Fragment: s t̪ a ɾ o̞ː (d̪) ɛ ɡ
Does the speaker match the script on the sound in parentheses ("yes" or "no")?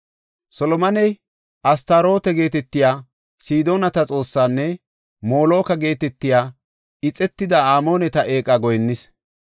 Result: no